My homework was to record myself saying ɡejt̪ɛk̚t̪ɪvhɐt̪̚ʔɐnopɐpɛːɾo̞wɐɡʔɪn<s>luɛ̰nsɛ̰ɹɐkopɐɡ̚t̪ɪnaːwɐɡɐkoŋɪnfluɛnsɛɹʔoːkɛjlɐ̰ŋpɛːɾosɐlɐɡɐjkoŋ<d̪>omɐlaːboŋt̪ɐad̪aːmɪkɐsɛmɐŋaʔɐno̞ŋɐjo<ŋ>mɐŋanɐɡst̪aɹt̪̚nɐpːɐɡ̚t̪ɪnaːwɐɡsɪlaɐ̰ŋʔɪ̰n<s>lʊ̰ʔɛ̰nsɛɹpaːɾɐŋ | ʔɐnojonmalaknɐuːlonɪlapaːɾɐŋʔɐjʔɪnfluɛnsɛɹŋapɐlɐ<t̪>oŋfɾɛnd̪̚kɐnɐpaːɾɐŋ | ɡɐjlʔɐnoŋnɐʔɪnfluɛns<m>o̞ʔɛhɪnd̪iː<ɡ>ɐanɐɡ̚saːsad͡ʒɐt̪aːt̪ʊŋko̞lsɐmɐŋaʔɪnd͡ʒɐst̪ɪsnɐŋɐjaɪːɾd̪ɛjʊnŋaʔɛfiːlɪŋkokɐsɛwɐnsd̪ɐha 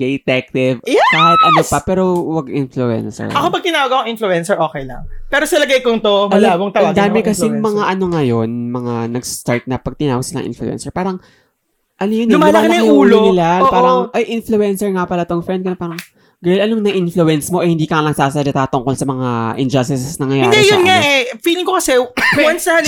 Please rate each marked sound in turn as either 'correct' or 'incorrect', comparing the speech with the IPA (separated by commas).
incorrect, incorrect, incorrect, incorrect, correct, correct, incorrect